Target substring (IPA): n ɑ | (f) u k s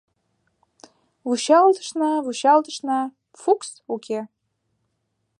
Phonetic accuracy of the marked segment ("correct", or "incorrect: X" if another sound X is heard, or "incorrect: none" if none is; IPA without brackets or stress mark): correct